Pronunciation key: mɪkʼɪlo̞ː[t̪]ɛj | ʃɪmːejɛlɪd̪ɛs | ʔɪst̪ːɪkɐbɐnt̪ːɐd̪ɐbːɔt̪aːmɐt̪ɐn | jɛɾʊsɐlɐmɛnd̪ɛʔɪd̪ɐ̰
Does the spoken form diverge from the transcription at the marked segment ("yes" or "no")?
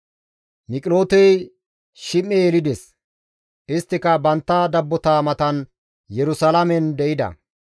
no